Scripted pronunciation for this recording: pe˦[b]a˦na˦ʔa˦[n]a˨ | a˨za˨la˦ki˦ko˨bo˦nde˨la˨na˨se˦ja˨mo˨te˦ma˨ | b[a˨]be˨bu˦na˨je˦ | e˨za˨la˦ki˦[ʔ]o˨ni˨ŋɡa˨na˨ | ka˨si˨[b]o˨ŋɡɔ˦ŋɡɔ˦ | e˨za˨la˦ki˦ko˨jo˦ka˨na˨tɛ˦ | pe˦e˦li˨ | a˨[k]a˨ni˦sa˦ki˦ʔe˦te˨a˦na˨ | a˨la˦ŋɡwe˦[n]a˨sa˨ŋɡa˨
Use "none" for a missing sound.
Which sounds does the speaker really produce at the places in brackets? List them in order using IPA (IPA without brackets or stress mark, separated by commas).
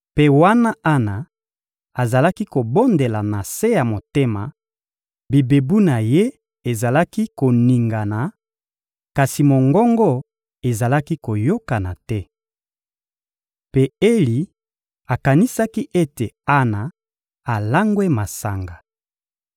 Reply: w, n, i˨, k, m, k, m